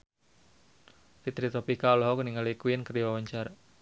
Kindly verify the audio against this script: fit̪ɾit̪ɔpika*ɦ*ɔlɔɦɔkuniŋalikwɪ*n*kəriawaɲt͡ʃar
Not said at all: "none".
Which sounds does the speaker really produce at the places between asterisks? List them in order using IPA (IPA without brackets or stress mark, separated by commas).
none, n